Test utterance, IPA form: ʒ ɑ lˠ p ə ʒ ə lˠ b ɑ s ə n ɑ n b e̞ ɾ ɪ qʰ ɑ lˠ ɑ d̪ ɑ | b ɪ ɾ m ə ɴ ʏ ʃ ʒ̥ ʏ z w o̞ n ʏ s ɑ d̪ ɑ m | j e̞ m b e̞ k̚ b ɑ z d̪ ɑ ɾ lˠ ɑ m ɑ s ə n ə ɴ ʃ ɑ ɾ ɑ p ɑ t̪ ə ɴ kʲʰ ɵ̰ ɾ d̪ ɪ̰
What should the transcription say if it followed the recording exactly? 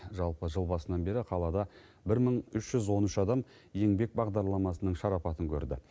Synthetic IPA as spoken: ʒ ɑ lˠ p ə ʒ ə lˠ b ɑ s ə n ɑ n b e̞ ɾ ɪ qʰ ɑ lˠ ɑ d̪ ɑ | b ɪ ɾ m ə ɴ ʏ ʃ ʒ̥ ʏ z w o̞ n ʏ ʃ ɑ d̪ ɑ m | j e̞ ŋ b e̞ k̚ b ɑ ʁ d̪ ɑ ɾ lˠ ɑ m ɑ s ə n ə ɴ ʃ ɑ ɾ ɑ p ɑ t̪ ə ŋ kʲʰ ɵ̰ ɾ d̪ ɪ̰